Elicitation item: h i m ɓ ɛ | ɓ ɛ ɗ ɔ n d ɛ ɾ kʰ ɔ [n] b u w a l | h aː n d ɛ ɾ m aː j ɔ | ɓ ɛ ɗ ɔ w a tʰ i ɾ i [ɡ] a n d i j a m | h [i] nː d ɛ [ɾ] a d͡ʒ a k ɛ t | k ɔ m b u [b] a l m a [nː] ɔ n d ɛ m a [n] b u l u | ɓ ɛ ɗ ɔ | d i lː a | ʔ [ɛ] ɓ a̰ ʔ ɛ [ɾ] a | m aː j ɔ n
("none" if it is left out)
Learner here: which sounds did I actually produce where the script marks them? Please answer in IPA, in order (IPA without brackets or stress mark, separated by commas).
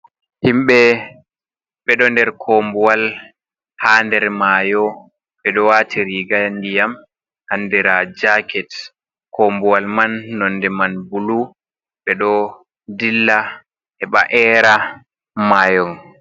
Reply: m, ɡ, a, ɾ, w, nː, n, ɛ, ɾ